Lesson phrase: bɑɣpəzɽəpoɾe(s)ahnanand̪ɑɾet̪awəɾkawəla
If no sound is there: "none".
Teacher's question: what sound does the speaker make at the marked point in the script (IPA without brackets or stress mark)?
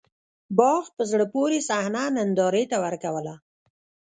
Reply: s